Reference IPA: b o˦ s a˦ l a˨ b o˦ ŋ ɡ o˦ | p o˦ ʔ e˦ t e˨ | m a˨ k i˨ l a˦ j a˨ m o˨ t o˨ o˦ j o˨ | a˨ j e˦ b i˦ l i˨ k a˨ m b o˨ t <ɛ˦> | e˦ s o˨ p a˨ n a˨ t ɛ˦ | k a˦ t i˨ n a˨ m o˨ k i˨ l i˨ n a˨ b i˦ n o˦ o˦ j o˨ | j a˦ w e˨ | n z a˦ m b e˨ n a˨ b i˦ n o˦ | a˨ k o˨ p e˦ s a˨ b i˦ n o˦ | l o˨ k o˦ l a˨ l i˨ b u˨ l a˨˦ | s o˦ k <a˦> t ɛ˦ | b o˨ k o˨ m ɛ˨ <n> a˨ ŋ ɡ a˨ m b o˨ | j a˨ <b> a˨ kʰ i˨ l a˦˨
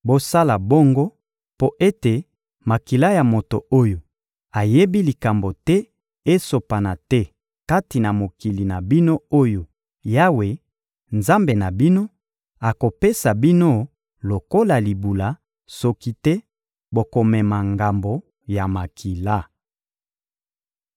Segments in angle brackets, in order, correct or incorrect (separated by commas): correct, incorrect, incorrect, incorrect